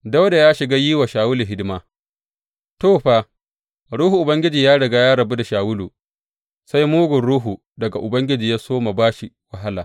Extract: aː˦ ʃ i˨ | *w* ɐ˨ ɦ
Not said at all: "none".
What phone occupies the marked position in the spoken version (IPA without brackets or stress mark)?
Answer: w